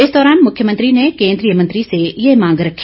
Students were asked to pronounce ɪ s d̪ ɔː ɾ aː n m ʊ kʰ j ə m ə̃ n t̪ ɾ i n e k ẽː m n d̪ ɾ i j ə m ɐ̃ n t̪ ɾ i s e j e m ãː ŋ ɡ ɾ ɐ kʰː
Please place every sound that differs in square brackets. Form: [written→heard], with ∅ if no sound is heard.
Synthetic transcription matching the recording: ɪ s d̪ ɔː ɾ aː n m ʊ kʰ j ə m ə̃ n t̪ ɾ i n e k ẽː [m→∅] n d̪ ɾ i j ə m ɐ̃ n t̪ ɾ i s e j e m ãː ŋ ɡ ɾ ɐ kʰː